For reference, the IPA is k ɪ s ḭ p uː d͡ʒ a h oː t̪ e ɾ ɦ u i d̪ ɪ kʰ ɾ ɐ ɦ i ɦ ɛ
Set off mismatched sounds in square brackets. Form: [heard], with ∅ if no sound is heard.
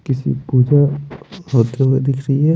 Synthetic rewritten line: k ɪ s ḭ p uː d͡ʒ a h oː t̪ e [∅] ɦ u [e] d̪ ɪ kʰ ɾ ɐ ɦ i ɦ ɛ